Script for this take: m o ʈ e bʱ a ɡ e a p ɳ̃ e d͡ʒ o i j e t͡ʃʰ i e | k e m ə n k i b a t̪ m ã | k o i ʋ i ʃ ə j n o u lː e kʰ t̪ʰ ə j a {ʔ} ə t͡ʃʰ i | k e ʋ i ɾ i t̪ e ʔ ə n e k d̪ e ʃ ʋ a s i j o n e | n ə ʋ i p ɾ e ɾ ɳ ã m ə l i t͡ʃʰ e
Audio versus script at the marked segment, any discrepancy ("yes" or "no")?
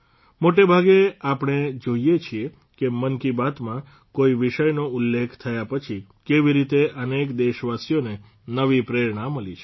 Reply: yes